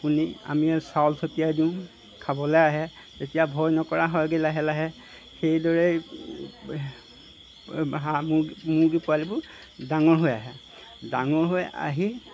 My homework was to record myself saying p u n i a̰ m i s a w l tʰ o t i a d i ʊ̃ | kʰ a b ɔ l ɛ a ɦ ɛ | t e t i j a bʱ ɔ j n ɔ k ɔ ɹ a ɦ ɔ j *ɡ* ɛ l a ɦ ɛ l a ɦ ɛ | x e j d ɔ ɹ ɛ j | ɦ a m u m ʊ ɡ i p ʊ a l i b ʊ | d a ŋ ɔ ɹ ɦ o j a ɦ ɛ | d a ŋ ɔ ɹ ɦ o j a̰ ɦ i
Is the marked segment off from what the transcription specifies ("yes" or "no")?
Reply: no